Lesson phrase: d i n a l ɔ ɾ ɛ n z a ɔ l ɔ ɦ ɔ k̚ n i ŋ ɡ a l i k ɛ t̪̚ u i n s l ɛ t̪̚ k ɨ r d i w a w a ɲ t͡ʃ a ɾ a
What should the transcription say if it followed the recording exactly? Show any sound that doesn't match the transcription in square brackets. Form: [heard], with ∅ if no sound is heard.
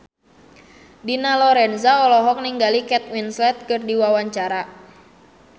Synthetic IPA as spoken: d i n a l ɔ ɾ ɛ n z a ɔ l ɔ ɦ ɔ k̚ n i ŋ ɡ a l i k ɛ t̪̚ [w] i n s l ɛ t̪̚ k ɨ r d i w a w a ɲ t͡ʃ a ɾ a